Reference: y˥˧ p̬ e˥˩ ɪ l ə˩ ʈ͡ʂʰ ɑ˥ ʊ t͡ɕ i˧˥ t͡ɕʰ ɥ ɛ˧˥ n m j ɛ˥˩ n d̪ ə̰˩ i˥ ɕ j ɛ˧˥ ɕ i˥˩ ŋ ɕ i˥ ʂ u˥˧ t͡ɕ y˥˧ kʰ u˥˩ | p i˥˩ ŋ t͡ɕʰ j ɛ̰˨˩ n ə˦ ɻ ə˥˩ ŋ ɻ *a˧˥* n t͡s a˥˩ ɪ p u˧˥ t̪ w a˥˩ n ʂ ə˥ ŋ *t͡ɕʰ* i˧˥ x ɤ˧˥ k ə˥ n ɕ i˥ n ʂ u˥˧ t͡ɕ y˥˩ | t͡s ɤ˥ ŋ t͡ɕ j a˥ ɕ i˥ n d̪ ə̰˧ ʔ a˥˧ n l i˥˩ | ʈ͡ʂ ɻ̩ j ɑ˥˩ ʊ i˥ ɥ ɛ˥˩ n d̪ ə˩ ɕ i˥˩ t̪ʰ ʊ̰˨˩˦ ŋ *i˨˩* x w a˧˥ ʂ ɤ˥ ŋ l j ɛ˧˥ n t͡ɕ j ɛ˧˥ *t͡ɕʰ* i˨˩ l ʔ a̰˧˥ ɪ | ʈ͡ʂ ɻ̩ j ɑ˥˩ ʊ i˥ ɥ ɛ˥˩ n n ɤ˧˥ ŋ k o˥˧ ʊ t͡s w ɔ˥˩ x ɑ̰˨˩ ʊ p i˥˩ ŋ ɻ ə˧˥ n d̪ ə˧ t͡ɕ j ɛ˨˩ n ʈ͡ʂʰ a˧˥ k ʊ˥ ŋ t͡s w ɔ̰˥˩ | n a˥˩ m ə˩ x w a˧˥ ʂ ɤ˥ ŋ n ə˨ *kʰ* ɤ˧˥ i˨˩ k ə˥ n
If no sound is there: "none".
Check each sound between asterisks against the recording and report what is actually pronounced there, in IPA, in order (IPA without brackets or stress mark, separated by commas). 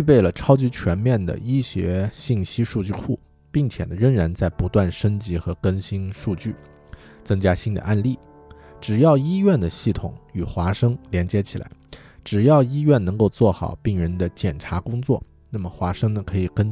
a˧˥, t͡ɕ, y˨˩, t͡ɕʰ, kʰ